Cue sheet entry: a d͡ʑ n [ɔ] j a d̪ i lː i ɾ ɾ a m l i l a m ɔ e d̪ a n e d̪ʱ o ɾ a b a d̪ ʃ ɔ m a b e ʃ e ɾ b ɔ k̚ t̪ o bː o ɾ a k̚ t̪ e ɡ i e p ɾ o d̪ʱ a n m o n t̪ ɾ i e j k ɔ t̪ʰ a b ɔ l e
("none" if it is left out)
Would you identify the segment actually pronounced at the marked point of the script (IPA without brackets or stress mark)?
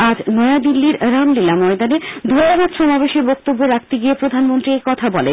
ɔ